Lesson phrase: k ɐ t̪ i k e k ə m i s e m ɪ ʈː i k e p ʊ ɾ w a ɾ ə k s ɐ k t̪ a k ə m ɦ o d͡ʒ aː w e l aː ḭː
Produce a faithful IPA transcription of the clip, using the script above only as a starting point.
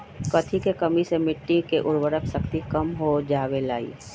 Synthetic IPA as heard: k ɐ t̪ʰ i k e k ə m i s e m ɪ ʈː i k e ʔ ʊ ɾ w ə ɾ ə k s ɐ k t̪ i k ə m ɦ o d͡ʒ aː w e l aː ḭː